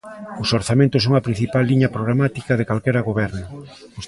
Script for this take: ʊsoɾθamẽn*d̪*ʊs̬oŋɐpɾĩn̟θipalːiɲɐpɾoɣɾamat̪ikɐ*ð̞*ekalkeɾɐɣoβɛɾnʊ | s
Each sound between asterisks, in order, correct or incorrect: incorrect: t̪, correct

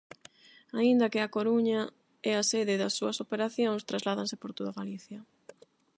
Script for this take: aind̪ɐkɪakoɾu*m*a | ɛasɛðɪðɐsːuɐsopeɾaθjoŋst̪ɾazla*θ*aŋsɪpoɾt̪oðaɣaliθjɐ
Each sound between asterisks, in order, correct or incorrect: incorrect: ɲ, incorrect: ð

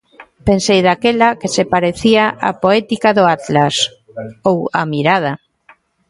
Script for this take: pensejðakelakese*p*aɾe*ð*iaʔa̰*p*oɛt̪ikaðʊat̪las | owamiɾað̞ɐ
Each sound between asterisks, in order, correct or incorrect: correct, incorrect: θ, correct

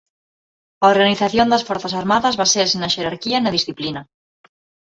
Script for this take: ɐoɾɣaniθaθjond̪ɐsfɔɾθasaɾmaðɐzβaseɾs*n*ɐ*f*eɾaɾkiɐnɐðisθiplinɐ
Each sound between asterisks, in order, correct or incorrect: correct, incorrect: ʃ

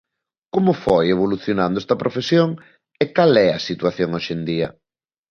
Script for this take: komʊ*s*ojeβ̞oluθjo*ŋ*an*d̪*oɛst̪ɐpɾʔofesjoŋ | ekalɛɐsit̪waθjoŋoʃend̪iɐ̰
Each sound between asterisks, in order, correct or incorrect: incorrect: f, incorrect: n, correct

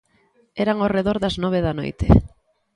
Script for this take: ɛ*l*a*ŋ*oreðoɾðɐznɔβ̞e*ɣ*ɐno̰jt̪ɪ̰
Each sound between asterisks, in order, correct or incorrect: incorrect: ɾ, correct, incorrect: ð

